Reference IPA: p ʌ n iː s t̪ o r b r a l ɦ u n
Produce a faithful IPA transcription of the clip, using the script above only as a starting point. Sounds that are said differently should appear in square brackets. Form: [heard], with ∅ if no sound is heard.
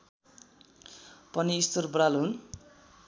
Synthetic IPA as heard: p ʌ n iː s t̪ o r b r a l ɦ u n

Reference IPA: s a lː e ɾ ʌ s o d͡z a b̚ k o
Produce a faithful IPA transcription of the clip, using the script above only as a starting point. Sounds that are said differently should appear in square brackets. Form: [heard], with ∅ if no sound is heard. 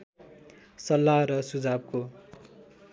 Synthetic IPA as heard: s [ʌ] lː [a] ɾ ʌ s [u] d͡z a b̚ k o

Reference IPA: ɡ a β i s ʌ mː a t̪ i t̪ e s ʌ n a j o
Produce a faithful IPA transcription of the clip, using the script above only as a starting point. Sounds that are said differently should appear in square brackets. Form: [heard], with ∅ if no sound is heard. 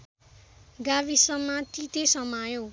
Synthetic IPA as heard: ɡ a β i s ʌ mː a t̪ i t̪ e s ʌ [m] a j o

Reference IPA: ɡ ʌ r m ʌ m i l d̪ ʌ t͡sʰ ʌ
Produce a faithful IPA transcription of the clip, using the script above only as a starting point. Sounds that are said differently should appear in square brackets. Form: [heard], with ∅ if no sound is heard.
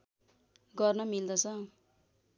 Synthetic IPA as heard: ɡ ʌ r [n] ʌ m i l d̪ ʌ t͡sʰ ʌ

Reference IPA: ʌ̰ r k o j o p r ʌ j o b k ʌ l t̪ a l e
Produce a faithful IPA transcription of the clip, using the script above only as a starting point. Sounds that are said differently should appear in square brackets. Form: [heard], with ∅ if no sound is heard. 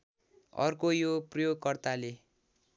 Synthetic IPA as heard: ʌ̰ r k o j o p r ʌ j o [ɡ] k ʌ [r] t̪ a l e

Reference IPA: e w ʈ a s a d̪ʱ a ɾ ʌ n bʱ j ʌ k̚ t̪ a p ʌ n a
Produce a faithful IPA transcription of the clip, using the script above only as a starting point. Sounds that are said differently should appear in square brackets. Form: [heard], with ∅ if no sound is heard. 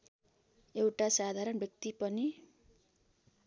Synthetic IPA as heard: e w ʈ a s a d̪ʱ a ɾ ʌ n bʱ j ʌ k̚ t̪ [i] p ʌ n [i]

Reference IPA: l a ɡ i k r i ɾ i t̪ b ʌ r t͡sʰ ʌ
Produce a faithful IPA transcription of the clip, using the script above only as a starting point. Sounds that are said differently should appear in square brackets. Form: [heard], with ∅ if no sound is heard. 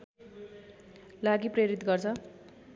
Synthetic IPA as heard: l a ɡ i [p] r [e] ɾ i t̪ [ɡ] ʌ r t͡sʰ ʌ

